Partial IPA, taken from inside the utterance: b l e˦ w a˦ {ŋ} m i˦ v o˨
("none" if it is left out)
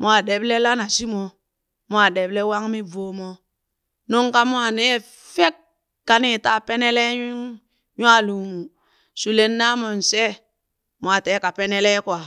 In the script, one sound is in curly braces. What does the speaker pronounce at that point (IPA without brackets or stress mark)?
ŋ